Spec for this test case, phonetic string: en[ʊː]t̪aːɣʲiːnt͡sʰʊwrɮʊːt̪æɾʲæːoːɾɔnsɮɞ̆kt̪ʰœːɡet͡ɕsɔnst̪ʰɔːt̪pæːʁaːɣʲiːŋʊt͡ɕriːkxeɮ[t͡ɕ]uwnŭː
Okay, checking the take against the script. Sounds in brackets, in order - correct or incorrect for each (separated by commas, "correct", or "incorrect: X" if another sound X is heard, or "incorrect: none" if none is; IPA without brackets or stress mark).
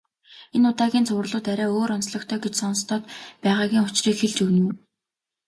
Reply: incorrect: ʊ, correct